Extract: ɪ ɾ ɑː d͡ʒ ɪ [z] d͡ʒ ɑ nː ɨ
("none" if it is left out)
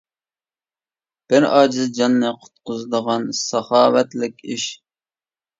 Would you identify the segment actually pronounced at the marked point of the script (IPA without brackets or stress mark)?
z